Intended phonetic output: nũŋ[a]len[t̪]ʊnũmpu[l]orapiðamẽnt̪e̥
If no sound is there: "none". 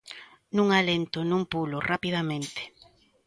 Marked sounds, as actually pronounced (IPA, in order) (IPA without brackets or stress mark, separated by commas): a, t̪, l